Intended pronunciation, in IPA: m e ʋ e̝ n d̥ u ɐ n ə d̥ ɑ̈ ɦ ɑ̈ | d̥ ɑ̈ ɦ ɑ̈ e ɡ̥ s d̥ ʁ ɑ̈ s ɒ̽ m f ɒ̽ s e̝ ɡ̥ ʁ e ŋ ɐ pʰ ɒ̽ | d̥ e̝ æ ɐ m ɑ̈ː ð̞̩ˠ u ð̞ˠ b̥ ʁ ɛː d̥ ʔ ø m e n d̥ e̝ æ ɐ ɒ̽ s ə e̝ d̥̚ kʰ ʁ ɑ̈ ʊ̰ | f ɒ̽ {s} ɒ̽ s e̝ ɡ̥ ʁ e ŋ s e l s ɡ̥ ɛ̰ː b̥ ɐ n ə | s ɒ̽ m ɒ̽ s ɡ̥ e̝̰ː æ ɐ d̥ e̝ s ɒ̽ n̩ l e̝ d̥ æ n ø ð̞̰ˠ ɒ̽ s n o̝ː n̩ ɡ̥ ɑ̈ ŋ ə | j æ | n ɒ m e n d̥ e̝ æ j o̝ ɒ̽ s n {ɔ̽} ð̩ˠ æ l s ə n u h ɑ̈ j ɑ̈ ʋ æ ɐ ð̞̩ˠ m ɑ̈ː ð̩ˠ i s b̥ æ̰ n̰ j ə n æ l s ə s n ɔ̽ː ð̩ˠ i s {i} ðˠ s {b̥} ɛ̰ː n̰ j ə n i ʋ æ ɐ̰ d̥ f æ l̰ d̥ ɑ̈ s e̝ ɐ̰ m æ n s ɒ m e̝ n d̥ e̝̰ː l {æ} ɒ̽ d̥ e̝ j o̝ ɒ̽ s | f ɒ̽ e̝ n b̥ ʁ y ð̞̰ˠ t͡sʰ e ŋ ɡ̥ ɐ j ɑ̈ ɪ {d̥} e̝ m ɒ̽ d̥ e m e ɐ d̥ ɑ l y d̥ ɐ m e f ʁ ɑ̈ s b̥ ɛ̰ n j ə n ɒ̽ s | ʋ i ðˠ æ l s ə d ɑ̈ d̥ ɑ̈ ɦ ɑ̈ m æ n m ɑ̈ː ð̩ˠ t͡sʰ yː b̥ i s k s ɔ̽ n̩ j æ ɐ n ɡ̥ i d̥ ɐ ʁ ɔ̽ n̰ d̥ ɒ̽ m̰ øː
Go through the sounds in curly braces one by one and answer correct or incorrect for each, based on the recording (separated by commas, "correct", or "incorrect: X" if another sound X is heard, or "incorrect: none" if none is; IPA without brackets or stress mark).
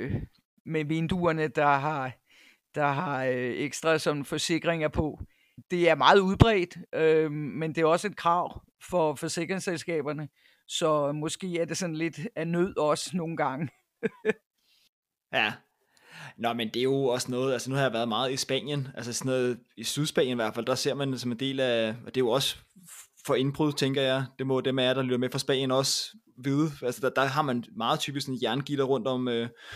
incorrect: f, incorrect: ɔ̽ː, incorrect: y, correct, correct, correct